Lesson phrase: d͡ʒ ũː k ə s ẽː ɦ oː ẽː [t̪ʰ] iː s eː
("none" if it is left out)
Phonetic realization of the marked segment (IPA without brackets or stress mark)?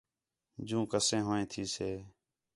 t̪ʰ